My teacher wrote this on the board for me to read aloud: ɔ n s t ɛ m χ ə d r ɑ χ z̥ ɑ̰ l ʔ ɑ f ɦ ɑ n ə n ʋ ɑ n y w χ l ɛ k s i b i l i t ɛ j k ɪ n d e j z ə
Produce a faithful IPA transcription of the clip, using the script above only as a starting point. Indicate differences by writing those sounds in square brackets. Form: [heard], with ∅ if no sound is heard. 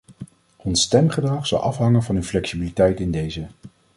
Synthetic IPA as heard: ɔ n s t ɛ m χ ə d r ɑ χ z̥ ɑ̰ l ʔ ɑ f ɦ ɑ [ŋ] ə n [v] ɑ n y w [f] l ɛ k s i b i l i t ɛ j [t] ɪ n d e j z ə